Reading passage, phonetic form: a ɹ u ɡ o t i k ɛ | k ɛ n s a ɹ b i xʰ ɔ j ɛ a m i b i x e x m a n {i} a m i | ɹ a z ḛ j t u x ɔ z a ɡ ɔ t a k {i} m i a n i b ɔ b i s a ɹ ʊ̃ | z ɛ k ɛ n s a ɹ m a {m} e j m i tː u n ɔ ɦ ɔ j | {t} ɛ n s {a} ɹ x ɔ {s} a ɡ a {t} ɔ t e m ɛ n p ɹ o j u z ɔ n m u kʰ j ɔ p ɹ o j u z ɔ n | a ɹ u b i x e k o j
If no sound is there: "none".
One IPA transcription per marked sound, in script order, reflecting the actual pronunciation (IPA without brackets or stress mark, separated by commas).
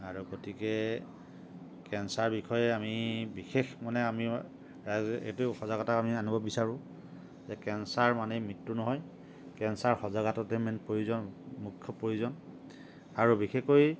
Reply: ɛ, a, n, k, a, z, t